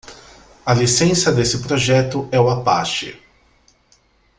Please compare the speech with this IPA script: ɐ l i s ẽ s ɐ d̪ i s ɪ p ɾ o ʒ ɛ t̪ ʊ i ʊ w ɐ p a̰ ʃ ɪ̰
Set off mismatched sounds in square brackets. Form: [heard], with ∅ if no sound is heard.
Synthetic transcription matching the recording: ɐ l i s ẽ s ɐ d̪ [e] s ɪ p ɾ o ʒ ɛ t̪ ʊ [ɛ] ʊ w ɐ p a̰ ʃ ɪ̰